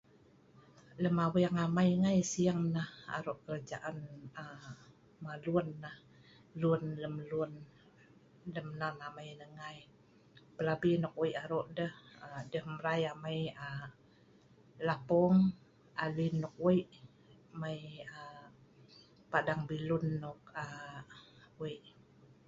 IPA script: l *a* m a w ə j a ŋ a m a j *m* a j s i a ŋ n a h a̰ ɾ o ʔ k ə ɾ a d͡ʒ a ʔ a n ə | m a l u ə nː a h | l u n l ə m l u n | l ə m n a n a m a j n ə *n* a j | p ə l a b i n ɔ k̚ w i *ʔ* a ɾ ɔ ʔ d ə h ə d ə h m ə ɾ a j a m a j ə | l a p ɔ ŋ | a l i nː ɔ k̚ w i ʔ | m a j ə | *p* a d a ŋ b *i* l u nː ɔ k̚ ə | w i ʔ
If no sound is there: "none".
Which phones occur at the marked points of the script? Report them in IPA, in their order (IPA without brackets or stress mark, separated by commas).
ə, ŋ, ŋ, ʔ, p, i